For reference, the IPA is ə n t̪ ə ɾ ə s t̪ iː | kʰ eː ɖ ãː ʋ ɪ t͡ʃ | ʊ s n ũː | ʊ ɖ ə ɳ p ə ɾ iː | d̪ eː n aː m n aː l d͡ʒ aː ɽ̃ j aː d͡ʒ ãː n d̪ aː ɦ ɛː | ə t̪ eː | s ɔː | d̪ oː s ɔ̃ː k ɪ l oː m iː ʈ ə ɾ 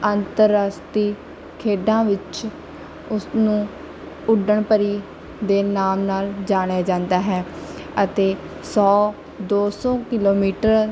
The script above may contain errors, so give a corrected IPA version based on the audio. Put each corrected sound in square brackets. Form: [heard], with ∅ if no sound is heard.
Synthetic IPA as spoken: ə n t̪ ə ɾ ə s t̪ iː | kʰ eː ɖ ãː ʋ ɪ t͡ʃ | ʊ s n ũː | ʊ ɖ ə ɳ p ə ɾ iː | d̪ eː n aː m n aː l d͡ʒ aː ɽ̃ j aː d͡ʒ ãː n d̪ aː ɦ ɛː | ə t̪ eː | s ɔː | d̪ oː s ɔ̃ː k ɪ l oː m iː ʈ ə ɾ